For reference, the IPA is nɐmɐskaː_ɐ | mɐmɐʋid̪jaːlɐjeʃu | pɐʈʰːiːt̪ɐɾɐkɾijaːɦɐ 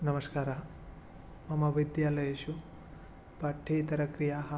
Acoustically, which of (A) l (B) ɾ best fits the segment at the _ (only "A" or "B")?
B